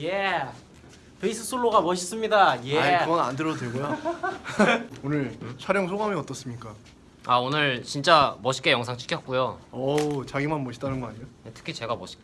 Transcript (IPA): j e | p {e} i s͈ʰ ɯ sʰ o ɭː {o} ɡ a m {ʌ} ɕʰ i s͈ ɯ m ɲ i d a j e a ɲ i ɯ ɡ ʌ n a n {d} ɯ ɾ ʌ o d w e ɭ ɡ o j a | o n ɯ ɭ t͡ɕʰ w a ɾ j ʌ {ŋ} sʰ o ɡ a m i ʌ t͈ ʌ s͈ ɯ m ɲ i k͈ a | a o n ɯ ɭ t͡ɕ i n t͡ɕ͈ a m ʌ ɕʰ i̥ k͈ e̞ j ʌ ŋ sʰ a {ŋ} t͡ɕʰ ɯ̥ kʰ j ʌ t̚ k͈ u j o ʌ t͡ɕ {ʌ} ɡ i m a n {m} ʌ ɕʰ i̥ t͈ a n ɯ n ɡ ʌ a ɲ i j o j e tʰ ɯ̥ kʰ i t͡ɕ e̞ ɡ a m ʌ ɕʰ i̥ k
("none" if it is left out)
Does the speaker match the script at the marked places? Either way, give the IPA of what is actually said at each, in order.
e, o, ʌ, d, ŋ, ŋ, a, m

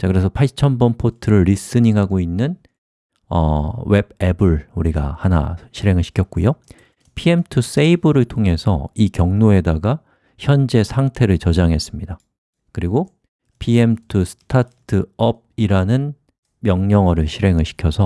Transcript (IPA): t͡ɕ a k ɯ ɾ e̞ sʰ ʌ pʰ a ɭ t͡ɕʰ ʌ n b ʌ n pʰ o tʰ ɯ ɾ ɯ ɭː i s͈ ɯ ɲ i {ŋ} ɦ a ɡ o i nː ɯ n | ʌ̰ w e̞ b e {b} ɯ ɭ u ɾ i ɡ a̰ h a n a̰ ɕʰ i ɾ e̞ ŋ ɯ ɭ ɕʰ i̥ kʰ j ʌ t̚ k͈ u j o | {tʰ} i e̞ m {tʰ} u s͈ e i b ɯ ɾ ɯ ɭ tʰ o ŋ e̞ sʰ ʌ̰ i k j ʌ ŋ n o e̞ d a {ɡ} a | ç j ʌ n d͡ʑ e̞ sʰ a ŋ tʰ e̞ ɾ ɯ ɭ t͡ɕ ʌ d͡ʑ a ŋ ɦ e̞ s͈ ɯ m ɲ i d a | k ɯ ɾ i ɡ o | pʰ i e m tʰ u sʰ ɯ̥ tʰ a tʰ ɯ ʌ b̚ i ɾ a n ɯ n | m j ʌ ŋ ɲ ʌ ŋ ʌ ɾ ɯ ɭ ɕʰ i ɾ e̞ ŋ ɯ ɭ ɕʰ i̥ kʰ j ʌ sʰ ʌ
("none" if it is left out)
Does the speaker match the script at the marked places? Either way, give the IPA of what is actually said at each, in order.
ŋ, b, pʰ, tʰ, ɡ

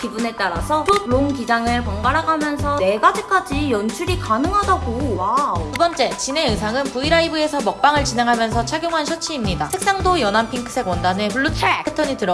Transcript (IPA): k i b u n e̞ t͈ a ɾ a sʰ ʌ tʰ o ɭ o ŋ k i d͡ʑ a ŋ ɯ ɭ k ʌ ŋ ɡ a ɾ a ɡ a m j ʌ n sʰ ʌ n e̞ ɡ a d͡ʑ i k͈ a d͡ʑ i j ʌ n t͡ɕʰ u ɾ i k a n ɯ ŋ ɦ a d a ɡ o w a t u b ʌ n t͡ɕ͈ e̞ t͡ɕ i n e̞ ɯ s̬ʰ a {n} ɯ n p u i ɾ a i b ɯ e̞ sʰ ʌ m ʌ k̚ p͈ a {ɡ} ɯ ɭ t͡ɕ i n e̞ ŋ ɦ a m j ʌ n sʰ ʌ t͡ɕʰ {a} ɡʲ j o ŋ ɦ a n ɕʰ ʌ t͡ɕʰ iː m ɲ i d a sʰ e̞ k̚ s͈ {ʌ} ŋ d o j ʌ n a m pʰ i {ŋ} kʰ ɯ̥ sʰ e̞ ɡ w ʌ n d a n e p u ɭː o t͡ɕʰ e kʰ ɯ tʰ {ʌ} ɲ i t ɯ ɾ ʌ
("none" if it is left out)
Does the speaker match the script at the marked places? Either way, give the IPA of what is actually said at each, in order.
ŋ, ŋ, a, a, ŋ, ʌ

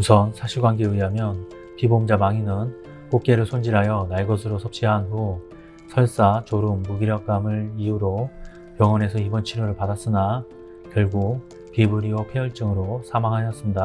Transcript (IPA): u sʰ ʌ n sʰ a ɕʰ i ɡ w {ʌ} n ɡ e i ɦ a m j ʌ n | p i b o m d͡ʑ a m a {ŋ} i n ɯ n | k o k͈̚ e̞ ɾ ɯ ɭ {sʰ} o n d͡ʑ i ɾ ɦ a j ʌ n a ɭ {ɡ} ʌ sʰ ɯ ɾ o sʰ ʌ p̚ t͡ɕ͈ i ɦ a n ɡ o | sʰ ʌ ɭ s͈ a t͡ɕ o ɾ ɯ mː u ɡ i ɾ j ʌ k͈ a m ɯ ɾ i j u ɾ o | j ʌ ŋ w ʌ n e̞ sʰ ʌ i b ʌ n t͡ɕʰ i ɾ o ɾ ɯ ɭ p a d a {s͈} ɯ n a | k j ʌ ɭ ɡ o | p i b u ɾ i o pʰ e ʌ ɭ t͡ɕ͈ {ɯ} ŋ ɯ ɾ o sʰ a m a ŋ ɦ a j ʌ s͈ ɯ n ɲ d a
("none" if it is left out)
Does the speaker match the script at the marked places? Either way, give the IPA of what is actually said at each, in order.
a, ŋ, sʰ, ɡ, s͈, ɯ

